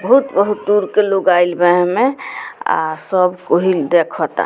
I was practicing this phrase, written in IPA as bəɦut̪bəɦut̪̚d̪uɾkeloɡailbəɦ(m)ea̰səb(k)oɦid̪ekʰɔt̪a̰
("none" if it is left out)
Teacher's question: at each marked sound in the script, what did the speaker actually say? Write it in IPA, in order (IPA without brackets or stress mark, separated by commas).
m, k